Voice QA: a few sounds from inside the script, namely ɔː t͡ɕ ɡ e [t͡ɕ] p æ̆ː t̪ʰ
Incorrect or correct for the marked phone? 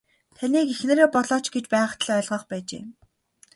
correct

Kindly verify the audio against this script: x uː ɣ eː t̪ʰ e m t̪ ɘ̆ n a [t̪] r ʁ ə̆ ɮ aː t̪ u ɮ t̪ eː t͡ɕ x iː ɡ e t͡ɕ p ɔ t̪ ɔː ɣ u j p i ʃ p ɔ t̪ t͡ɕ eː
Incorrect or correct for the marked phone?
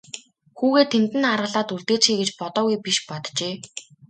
incorrect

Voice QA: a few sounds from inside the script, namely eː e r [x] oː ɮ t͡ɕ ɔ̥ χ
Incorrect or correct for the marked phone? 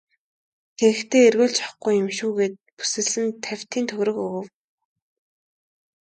incorrect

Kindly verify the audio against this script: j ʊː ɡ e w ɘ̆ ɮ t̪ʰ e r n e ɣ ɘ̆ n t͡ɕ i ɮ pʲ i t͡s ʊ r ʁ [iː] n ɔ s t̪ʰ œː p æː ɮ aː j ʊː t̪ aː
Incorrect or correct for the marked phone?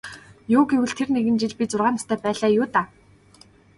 incorrect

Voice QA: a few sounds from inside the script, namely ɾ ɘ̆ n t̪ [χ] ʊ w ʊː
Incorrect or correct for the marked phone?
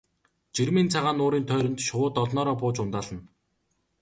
incorrect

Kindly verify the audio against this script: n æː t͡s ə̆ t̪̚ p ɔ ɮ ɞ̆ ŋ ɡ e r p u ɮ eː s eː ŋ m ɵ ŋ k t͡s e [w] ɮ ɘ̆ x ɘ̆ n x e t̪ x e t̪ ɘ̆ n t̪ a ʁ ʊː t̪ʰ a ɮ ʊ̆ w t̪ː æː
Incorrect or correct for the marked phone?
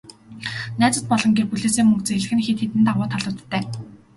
incorrect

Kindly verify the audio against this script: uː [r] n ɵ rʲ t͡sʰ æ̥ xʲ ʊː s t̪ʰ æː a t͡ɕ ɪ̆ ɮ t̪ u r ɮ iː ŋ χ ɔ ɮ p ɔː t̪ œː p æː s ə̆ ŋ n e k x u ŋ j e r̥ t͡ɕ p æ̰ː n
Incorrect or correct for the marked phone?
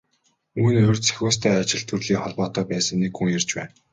incorrect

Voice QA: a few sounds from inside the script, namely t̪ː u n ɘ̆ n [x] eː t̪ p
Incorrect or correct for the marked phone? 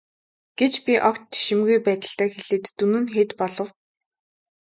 correct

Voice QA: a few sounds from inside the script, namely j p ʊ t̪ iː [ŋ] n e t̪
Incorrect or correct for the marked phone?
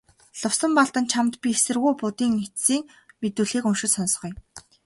correct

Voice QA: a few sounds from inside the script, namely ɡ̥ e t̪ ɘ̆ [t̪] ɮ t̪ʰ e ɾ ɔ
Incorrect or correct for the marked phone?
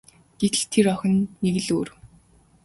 incorrect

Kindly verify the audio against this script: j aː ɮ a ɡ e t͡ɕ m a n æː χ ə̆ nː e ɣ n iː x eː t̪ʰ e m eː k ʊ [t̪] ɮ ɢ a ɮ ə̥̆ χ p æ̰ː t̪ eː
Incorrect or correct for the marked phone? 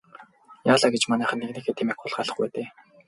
incorrect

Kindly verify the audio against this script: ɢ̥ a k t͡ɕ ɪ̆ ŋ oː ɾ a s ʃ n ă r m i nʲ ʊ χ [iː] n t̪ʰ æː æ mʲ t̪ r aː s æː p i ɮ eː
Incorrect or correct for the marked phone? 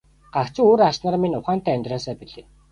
incorrect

